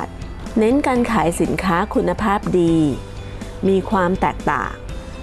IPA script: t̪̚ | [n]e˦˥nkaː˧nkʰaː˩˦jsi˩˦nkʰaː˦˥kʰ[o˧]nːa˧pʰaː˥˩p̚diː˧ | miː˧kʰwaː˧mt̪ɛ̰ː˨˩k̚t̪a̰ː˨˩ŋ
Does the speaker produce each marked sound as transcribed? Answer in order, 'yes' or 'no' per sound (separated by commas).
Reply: yes, no